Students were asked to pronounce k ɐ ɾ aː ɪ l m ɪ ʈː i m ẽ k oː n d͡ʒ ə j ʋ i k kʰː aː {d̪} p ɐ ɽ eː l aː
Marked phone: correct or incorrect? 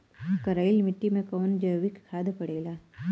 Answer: correct